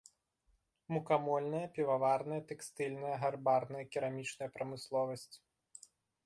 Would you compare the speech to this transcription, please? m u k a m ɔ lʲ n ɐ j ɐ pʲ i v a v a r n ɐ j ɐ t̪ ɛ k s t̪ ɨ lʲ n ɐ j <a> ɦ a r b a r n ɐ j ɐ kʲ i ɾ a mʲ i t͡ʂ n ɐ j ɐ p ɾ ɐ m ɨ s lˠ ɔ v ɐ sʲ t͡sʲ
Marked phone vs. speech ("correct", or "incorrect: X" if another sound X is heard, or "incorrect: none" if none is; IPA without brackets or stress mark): incorrect: ɐ